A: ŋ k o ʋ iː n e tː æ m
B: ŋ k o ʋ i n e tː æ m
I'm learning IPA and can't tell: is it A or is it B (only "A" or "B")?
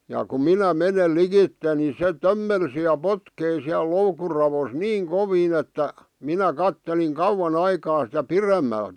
A